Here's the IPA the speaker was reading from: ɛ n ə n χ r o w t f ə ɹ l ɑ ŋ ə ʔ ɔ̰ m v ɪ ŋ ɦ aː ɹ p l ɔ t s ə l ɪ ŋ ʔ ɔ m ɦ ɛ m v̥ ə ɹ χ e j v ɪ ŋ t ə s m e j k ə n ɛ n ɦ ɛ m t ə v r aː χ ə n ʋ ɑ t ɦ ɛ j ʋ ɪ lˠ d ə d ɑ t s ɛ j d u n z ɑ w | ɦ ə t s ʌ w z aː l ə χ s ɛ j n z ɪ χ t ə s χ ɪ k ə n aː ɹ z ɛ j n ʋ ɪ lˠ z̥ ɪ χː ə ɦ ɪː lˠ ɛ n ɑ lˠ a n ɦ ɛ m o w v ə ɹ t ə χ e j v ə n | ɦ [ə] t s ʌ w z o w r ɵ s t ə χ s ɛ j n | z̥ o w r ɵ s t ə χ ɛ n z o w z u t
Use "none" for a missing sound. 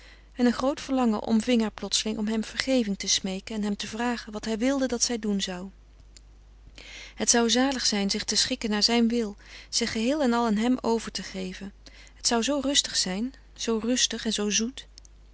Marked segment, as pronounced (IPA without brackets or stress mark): ə